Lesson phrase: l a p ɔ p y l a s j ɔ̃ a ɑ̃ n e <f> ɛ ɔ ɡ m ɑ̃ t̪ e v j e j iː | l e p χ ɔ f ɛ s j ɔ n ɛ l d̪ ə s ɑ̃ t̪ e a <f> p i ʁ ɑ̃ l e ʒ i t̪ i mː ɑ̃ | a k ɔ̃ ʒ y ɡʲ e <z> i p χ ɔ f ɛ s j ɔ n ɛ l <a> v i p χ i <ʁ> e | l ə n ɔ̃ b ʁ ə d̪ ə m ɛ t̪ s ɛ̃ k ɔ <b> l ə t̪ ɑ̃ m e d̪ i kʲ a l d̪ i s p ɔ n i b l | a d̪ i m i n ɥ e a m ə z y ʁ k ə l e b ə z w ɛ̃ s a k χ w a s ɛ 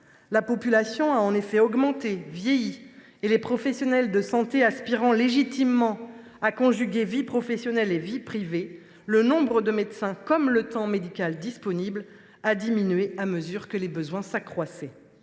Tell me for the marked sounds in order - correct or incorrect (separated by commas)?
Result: correct, incorrect, incorrect, incorrect, incorrect, incorrect